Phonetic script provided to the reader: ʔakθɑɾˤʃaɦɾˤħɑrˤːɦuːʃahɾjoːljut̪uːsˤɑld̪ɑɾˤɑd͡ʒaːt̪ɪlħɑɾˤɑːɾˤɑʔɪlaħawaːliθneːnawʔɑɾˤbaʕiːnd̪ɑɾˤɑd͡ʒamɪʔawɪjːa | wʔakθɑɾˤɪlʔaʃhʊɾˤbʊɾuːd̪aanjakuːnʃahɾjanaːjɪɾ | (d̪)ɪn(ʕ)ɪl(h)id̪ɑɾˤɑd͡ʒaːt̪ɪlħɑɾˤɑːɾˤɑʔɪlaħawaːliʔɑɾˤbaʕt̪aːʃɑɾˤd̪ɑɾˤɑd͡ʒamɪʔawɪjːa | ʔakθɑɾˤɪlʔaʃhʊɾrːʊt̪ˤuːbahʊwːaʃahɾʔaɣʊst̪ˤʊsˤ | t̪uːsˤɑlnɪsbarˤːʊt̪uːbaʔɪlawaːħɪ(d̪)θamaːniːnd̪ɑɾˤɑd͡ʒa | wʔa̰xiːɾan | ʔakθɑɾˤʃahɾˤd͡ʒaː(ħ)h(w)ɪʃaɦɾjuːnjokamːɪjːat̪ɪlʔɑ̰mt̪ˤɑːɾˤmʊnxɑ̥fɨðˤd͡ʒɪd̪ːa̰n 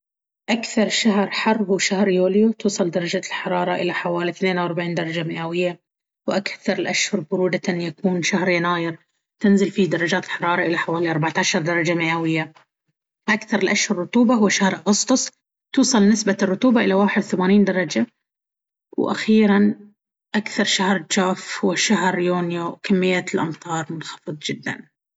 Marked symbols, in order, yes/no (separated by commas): no, no, no, yes, no, yes